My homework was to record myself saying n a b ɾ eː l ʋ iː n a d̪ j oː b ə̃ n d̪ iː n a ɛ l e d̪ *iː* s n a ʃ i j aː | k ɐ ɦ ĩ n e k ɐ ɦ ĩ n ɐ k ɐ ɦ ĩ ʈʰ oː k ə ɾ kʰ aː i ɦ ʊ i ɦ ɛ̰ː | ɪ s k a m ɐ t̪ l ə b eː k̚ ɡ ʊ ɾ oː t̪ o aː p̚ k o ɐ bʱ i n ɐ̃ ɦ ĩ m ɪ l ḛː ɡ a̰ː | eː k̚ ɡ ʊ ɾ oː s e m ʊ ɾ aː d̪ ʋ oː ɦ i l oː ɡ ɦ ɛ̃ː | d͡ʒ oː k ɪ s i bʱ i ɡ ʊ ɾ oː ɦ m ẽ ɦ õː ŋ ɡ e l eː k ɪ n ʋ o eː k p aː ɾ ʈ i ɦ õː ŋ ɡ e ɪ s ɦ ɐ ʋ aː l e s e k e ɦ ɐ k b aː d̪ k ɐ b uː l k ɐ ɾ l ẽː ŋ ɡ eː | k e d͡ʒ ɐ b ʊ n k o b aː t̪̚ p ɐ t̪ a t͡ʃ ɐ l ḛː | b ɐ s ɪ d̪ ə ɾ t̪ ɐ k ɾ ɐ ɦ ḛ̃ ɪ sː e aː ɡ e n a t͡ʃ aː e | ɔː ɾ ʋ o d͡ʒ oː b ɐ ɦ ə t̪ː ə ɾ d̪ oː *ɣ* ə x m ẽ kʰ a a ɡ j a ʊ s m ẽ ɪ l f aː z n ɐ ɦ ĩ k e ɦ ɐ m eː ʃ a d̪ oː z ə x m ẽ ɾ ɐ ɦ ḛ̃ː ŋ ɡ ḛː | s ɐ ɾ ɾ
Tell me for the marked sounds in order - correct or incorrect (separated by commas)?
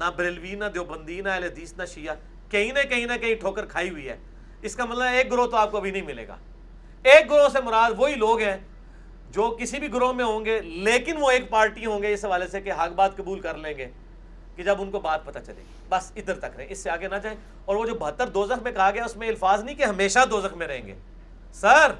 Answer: correct, incorrect